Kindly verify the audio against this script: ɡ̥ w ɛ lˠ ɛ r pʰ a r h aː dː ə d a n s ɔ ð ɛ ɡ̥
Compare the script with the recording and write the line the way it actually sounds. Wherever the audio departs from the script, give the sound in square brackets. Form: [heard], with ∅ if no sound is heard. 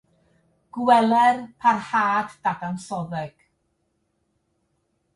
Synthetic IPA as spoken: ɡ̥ w ɛ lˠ ɛ r pʰ a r h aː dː [a] d a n s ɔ ð ɛ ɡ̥